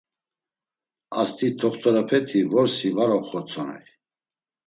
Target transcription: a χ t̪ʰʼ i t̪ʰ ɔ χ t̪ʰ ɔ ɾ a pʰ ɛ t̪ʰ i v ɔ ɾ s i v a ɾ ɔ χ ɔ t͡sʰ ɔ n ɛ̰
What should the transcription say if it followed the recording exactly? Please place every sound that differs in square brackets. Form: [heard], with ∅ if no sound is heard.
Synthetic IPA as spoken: a [s] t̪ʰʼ i t̪ʰ ɔ χ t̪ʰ ɔ ɾ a pʰ ɛ t̪ʰ i v ɔ ɾ s i v a ɾ ɔ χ ɔ t͡sʰ ɔ n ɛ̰